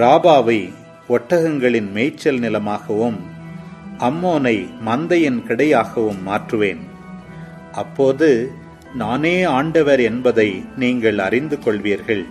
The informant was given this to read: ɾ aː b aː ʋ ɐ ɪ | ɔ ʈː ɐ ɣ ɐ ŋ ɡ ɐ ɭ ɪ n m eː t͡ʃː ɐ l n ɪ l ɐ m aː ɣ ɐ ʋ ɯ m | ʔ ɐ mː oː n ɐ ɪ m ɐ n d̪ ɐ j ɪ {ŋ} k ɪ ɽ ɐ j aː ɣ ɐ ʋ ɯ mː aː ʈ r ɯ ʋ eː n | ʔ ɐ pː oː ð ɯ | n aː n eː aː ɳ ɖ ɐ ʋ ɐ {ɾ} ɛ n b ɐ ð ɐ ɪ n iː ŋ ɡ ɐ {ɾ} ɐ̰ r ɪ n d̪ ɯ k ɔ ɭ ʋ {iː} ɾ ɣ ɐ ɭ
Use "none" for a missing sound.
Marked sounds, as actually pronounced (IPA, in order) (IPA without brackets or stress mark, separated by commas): n, ɾ, ɭ, iː